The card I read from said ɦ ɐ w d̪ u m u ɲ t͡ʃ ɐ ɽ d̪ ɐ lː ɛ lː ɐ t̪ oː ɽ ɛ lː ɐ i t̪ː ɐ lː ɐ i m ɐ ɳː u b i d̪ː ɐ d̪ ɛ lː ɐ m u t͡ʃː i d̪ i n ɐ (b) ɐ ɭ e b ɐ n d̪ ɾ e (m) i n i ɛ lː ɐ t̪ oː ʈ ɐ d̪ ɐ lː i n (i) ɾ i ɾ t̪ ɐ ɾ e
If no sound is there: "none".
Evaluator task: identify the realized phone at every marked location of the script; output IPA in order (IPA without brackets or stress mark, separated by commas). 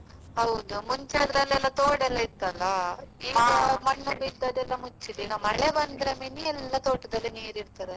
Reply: m, m, iː